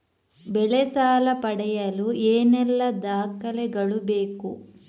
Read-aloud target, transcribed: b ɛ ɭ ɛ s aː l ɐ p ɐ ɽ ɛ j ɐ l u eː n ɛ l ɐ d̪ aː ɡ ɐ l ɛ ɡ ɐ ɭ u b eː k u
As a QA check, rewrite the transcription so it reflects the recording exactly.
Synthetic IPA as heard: b ɛ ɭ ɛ s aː l ɐ p ɐ ɽ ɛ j ɐ l u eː n ɛ lː ɐ d̪ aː k ɐ l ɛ ɡ ɐ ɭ u b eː k u